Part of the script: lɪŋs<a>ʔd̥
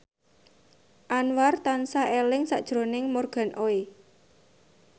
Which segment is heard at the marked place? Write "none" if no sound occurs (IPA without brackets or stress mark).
a